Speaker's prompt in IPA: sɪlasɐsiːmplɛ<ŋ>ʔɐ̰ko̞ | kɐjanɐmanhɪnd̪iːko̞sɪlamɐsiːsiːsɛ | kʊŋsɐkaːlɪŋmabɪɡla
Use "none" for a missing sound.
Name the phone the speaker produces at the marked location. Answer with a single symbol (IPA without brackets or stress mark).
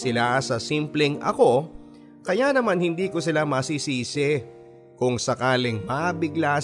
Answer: ŋ